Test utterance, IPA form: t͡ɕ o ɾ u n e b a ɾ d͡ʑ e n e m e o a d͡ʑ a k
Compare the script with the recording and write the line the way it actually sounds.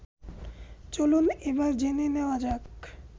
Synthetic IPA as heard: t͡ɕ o l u n e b a ɾ d͡ʑ e n e n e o a d͡ʑ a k